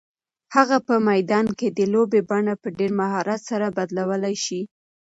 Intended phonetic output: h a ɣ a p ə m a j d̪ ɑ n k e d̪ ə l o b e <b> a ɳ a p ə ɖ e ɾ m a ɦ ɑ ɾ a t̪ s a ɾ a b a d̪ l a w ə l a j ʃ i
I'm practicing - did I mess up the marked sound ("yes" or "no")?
no